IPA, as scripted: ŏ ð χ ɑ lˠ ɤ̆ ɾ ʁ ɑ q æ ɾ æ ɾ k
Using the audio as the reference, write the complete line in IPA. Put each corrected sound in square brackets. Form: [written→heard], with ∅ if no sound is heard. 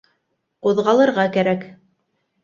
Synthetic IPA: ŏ ð [χ→ʁ] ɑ lˠ ɤ̆ ɾ ʁ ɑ [q→k] æ ɾ æ [ɾ→∅] k